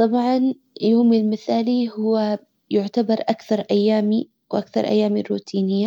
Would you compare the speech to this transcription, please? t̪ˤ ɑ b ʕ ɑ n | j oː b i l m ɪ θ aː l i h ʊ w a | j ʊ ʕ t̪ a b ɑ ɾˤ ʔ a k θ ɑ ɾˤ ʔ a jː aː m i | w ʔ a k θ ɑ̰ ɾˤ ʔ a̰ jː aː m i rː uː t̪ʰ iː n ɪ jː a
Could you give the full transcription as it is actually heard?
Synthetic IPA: t̪ˤ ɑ b ʕ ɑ n | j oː m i l m ɪ θ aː l i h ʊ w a | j ʊ ʕ t̪ a b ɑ ɾˤ ʔ a k θ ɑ ɾˤ ʔ a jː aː m i | w ʔ a k θ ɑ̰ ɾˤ ʔ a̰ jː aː m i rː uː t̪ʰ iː n ɪ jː a

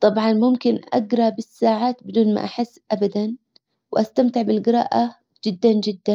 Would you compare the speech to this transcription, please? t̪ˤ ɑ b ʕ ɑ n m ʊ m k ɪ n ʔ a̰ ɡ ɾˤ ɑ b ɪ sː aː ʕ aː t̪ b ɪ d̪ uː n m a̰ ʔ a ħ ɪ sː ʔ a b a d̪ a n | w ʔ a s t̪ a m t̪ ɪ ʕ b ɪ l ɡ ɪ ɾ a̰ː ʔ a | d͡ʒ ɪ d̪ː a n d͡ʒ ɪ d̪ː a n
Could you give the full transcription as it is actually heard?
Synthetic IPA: t̪ˤ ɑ b ʕ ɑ n m ʊ m k ɪ n ʔ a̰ ɡ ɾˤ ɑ b ɪ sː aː ʕ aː t̪ b ɪ d̪ uː n m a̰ ʔ a ħ ɪ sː ʔ a b a d̪ a n | w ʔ a s t̪ a m t̪ ɪ ʕ b ɪ l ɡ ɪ ɾ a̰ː ʔ a | d͡ʒ ɪ d̪ː a n d͡ʒ ɪ d̪ː a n

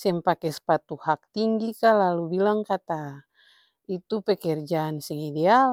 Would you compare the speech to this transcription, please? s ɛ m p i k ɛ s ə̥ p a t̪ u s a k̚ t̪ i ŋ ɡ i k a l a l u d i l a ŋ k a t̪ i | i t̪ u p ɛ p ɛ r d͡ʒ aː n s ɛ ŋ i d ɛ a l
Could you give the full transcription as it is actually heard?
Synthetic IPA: s ɛ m p a k ɛ s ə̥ p a t̪ u h a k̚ t̪ i ŋ ɡ i k a l a l u b i l a ŋ k a t̪ a | i t̪ u p ɛ k ɛ r d͡ʒ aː n s ɛ ŋ i d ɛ a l

